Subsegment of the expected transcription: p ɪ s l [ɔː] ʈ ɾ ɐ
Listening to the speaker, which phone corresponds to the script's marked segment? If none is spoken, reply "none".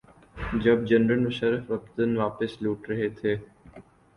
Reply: uː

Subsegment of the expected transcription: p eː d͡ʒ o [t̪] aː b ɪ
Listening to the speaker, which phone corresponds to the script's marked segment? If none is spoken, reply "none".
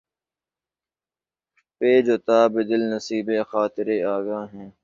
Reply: t̪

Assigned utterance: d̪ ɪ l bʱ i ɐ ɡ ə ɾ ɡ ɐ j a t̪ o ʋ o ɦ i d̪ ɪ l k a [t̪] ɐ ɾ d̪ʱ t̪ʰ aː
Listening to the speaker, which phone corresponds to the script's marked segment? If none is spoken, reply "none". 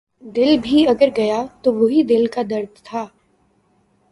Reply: d̪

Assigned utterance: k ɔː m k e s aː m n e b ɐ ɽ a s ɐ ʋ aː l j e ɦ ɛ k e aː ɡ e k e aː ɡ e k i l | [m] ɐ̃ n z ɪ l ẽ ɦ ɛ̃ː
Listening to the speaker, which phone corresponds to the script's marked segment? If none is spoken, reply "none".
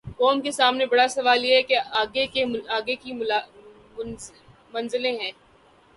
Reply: m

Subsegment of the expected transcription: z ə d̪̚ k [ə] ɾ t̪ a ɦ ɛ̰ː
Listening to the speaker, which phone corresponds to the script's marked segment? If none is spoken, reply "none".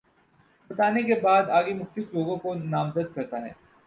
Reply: ɐ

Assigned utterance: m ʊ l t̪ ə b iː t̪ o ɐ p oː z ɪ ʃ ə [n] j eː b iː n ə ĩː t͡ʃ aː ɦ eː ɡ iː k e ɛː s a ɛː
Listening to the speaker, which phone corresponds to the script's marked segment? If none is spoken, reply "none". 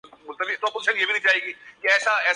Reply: n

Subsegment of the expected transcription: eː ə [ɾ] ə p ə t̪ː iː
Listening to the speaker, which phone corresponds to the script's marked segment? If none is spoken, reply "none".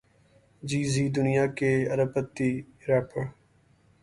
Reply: ɾ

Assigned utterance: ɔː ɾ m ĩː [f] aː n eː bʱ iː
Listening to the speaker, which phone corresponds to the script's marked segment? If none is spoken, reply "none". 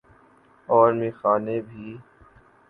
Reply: x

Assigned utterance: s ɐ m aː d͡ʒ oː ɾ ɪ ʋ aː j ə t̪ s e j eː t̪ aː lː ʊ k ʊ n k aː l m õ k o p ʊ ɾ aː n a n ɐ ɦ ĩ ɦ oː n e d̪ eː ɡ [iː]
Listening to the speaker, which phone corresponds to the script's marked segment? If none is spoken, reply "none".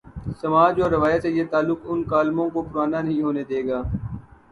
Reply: aː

